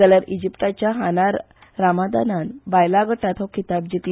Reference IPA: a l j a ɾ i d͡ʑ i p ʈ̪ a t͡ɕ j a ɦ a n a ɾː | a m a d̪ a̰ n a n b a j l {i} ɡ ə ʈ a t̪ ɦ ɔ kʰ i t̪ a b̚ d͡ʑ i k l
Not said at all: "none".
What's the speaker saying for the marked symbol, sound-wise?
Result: a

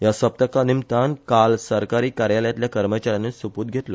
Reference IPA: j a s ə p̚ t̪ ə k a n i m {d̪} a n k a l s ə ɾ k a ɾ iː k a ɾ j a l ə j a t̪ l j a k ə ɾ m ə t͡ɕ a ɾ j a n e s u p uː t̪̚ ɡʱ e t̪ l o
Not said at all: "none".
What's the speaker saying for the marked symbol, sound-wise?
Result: t̪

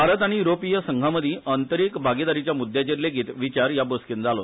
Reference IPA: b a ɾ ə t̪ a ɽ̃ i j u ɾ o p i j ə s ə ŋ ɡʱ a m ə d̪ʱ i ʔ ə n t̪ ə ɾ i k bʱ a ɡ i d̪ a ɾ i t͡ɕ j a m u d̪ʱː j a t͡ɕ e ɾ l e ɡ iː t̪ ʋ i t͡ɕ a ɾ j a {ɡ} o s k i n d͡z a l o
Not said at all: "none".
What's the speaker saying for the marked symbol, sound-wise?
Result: b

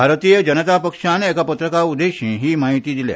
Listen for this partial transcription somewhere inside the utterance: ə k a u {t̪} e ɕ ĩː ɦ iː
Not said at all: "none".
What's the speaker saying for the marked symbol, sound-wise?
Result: d̪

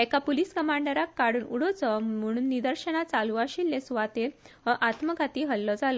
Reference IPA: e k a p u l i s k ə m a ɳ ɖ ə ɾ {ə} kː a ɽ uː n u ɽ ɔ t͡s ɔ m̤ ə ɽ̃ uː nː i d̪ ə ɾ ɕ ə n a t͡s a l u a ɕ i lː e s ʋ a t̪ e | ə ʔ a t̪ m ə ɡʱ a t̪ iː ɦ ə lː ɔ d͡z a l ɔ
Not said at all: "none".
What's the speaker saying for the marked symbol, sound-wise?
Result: a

